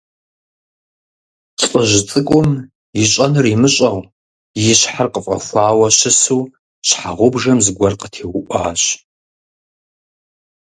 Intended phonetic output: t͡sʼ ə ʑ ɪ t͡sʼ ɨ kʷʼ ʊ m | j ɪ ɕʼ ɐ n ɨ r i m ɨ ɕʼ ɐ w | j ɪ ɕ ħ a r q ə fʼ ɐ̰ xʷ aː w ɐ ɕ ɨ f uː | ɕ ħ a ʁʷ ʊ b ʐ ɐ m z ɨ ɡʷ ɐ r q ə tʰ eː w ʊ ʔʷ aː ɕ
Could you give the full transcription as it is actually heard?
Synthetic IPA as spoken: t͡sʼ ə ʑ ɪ t͡sʼ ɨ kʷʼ ʊ m | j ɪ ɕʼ ɐ n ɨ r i m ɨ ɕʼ ɐ w | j ɪ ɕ ħ a r q ə fʼ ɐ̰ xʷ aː w ɐ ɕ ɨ s uː | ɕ ħ a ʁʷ ʊ b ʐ ɐ m z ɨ ɡʷ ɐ r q ə tʰ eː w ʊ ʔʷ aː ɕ